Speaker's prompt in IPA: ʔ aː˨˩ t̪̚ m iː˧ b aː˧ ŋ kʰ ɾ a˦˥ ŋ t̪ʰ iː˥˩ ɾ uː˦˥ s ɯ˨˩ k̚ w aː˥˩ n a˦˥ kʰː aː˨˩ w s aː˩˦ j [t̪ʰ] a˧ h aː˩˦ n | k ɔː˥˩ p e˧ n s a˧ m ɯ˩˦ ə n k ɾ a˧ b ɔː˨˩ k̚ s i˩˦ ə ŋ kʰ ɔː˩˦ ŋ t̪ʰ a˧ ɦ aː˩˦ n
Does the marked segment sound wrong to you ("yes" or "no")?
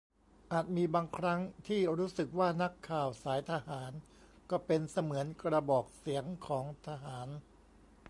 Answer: no